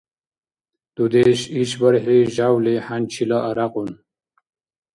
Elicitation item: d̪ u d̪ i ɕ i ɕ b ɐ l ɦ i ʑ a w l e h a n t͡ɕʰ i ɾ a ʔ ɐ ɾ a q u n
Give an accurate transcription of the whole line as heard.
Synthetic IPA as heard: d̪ u d̪ e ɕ i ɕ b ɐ ɾ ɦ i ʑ a w l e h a n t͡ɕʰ i l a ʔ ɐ ɾ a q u n